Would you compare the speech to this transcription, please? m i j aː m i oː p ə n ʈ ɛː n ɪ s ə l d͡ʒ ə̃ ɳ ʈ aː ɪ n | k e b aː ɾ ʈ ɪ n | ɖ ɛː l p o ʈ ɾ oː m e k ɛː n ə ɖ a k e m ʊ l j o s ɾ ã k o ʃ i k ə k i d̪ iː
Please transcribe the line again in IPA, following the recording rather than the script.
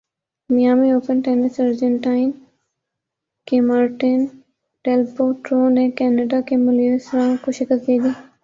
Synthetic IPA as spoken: m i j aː m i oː p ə n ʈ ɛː n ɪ s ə ɾ d͡ʒ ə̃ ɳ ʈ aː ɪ n | k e m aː ɾ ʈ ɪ n | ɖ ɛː l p o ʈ ɾ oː n e k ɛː n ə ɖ a k e m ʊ l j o s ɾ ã k o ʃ ɪ k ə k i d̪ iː